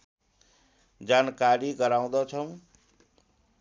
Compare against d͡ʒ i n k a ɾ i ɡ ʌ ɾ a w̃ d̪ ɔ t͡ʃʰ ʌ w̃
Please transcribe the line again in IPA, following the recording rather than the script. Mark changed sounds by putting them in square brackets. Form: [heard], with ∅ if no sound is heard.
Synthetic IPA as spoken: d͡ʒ [a] n k a ɾ i ɡ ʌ ɾ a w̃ d̪ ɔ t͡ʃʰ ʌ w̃